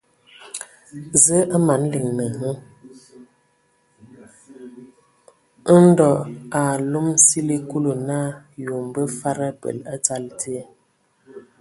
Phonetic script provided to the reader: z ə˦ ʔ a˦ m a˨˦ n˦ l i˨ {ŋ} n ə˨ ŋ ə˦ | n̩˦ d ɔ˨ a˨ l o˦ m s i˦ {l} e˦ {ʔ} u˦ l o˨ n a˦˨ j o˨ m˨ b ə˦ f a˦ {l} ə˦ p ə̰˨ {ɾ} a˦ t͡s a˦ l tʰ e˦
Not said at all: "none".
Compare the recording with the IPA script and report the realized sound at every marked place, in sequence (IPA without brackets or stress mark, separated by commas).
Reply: ŋ, l, k, ɾ, l